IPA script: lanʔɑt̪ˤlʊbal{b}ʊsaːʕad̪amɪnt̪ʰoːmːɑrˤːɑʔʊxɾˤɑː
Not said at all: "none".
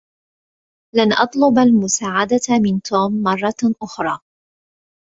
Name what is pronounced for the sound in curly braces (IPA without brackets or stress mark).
m